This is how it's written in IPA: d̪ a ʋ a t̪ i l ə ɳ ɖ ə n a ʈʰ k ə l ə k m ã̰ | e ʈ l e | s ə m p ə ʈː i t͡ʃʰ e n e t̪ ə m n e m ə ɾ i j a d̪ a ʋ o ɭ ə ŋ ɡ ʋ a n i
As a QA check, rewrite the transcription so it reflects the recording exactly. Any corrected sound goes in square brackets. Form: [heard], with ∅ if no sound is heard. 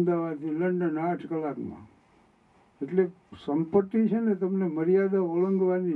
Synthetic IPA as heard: d̪ a ʋ a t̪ i l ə ɳ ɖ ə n a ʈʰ k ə l [a] k m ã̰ | e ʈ l e | s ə m p ə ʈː i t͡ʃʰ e n e t̪ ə m n e m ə ɾ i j a d̪ a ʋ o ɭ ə ŋ ɡ ʋ a n i